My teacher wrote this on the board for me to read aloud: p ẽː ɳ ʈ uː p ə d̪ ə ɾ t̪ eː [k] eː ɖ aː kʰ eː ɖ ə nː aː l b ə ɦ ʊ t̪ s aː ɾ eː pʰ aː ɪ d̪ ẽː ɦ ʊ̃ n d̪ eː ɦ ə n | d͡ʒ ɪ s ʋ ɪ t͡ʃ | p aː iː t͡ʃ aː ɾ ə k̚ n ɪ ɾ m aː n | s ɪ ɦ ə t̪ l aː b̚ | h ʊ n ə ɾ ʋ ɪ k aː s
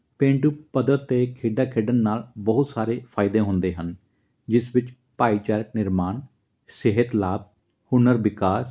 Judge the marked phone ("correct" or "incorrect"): incorrect